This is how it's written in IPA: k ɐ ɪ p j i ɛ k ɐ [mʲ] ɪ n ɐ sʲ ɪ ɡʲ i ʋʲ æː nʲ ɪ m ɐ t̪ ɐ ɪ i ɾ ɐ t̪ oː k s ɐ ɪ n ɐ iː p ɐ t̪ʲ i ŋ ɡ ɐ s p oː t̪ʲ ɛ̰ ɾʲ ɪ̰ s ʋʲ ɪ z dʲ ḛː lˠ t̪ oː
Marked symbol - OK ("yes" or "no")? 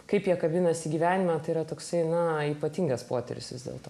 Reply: no